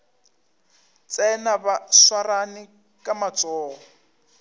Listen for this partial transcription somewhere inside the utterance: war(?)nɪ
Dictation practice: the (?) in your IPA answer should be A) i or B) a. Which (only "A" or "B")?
B